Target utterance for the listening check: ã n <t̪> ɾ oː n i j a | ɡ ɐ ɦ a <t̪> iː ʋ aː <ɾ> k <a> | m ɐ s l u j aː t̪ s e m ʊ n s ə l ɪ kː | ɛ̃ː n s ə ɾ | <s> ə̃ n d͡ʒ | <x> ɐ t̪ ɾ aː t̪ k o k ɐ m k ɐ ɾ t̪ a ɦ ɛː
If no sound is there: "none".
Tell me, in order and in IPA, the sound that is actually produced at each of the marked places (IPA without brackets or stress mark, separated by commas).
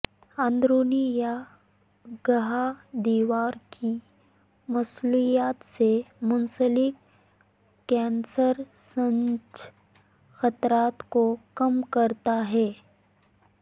d̪, d̪, ɾ, i, s, x